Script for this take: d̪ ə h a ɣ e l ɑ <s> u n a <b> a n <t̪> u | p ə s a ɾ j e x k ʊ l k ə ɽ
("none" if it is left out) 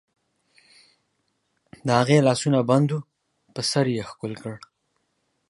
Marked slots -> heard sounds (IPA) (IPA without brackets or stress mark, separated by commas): s, b, d̪